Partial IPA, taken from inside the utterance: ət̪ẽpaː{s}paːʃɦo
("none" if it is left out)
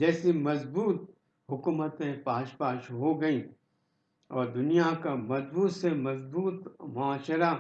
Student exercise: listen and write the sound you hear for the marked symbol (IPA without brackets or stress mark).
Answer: ʃ